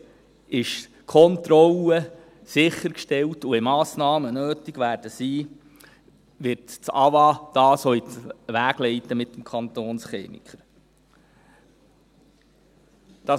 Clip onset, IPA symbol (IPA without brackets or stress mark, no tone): ɪ